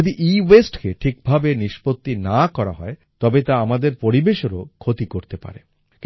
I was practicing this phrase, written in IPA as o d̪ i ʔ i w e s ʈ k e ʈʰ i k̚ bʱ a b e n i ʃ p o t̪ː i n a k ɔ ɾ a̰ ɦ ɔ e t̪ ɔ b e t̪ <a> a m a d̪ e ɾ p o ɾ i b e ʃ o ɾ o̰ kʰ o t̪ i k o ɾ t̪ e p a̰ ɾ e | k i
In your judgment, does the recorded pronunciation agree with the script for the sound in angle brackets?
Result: yes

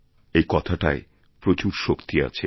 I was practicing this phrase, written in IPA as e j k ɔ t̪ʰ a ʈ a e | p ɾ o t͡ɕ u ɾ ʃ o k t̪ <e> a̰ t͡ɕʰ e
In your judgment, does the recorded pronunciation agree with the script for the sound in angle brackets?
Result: no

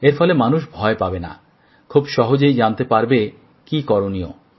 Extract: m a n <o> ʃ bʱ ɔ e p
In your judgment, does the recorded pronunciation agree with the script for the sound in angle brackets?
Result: no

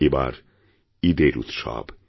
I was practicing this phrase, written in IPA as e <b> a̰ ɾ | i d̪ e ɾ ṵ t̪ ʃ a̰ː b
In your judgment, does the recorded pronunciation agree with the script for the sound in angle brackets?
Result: yes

